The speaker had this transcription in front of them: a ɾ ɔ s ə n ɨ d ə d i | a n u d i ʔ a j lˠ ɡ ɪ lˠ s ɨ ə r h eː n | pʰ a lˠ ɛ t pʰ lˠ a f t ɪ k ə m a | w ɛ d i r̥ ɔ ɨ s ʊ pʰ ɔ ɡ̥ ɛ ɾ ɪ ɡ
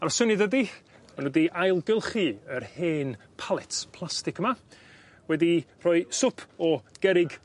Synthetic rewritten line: a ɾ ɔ s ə n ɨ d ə d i | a n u d i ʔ a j lˠ ɡ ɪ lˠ χ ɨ ə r h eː n | pʰ a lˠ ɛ t pʰ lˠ a s t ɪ k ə m a | w ɛ d i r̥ ɔ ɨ s ʊ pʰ ɔ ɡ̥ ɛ ɾ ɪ ɡ